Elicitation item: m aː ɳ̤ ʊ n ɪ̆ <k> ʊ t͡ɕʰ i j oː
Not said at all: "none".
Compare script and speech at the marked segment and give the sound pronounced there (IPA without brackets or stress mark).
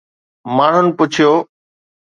p